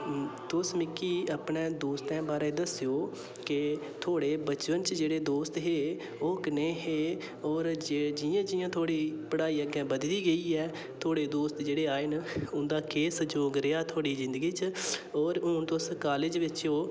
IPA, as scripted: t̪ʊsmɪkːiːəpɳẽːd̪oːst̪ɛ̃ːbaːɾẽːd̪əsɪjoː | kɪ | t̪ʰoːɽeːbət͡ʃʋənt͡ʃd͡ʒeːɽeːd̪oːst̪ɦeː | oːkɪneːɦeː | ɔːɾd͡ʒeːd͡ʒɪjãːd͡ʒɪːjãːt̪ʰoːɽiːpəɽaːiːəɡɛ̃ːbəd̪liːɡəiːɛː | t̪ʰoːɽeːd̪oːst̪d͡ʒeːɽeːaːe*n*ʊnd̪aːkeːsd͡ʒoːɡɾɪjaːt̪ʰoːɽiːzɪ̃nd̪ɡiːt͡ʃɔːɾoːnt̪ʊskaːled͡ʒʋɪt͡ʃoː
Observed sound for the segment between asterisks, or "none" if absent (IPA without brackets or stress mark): n